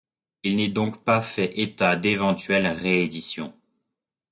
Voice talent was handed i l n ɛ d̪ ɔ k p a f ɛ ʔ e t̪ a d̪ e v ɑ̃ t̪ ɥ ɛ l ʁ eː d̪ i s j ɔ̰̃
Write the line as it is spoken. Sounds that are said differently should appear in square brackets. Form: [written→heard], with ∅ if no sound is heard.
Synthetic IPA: i l n ɛ d̪ [ɔ→ɔ̃] k p a f ɛ ʔ e t̪ a d̪ e v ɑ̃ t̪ ɥ ɛ l ʁ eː d̪ i s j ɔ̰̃